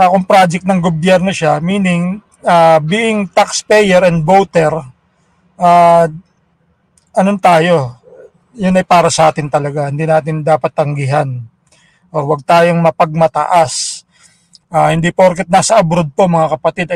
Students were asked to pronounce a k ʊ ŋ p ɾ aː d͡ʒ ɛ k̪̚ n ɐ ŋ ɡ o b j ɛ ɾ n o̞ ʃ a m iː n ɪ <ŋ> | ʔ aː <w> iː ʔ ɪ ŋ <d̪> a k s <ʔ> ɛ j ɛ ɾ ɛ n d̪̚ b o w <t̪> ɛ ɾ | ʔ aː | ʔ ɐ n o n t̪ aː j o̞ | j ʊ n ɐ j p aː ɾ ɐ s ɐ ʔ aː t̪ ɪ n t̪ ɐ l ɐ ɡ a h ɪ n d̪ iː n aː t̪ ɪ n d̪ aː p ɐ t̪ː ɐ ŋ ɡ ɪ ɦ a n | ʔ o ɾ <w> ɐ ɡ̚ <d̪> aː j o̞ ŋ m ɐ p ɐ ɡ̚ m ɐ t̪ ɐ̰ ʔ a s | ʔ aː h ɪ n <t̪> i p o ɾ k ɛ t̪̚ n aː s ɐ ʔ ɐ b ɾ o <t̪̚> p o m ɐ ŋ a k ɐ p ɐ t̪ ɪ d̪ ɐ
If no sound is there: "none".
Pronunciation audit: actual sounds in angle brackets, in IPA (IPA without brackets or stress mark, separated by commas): ŋ, b, t̪, p, t̪, w, t̪, d̪, d̪̚